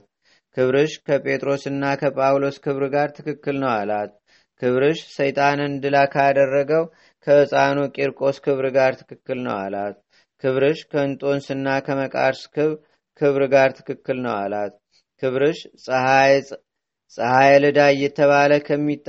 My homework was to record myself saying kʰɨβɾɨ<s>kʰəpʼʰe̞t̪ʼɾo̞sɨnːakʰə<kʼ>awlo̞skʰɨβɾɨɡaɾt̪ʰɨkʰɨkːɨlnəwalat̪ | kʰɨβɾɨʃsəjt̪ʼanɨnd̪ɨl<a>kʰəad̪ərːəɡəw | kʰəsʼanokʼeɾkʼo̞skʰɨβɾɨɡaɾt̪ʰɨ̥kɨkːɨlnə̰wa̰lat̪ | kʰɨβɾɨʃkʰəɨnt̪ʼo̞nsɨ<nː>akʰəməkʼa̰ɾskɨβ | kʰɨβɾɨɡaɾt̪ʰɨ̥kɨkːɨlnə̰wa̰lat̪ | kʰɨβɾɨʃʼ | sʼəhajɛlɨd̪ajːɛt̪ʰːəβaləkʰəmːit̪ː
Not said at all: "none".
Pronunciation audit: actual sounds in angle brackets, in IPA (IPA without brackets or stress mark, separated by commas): ʃ, pʼ, a, nː